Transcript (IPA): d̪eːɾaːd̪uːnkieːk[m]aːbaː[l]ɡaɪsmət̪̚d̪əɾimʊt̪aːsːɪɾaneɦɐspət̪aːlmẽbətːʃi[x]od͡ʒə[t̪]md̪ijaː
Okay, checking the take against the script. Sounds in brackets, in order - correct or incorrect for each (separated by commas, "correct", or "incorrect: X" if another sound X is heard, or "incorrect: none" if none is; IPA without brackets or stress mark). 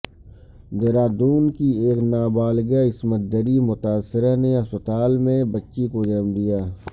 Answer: incorrect: n, correct, incorrect: k, incorrect: none